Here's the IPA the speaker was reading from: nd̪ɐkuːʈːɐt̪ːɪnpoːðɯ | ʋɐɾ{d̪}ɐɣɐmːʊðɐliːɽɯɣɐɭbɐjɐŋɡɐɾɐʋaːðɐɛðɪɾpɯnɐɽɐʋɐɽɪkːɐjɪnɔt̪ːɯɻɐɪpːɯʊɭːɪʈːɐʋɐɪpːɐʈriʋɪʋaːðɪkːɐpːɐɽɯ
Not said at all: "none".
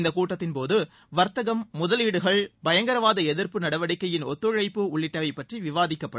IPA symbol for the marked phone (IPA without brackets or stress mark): t̪